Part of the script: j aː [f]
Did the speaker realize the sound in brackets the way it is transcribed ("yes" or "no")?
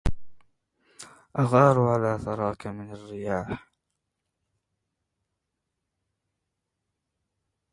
no